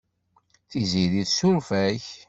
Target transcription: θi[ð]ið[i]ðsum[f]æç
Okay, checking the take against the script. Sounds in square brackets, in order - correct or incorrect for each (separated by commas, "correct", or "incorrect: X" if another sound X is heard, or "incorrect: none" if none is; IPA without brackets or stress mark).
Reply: incorrect: z, correct, correct